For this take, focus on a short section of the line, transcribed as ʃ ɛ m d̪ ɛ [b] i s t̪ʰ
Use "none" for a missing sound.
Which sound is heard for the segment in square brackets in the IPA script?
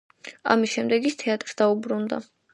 ɡ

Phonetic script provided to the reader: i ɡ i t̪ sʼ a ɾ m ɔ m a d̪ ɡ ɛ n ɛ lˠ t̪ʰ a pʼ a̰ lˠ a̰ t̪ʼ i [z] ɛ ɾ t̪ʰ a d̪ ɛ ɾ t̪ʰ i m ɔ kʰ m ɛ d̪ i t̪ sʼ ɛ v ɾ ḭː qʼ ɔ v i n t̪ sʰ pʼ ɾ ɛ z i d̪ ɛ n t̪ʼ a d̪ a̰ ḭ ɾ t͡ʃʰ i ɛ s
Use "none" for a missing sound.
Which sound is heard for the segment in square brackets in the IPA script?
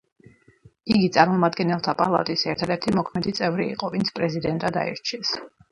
s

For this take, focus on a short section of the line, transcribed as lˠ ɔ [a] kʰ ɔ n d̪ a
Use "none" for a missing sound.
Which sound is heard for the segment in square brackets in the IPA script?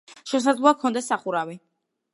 a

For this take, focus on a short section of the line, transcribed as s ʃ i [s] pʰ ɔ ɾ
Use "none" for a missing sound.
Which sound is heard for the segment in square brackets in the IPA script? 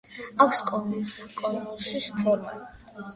s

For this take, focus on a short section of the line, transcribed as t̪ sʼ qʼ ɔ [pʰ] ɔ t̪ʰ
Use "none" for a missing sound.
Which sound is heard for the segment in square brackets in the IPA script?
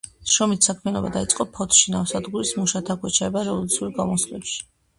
pʰ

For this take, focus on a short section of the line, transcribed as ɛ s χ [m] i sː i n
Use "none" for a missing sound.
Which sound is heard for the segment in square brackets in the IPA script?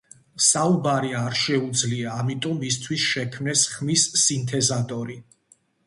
m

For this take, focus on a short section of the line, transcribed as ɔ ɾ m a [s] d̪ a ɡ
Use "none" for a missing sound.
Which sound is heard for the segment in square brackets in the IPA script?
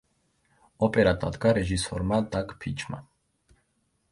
none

